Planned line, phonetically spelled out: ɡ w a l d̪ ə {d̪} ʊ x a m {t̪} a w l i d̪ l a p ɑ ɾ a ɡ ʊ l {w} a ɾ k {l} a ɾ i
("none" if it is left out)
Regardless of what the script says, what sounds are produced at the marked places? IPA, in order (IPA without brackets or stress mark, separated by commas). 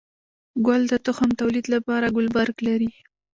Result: t̪, t̪, b, l